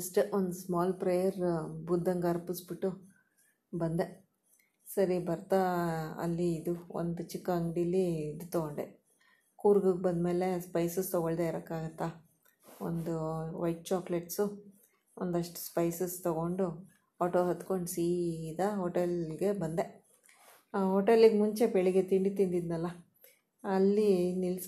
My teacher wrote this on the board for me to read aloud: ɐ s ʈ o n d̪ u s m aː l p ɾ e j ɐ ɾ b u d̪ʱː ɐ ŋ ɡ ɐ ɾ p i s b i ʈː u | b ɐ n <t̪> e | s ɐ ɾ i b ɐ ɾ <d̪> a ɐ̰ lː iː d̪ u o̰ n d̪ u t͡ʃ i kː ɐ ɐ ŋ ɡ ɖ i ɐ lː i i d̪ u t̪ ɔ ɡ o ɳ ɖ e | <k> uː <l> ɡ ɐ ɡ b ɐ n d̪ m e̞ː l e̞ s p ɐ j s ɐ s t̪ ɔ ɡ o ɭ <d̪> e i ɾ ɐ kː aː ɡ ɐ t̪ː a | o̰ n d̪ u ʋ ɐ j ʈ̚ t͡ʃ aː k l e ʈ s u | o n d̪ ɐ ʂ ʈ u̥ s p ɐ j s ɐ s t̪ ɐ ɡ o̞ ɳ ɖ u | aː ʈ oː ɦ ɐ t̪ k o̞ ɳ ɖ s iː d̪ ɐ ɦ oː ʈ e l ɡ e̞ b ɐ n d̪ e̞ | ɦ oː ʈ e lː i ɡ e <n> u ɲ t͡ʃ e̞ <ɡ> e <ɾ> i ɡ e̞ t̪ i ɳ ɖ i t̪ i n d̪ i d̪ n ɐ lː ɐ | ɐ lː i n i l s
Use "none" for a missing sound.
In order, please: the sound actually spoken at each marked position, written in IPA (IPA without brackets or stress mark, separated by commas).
d̪, t̪, k, ɾ, d̪, m, b, ɭ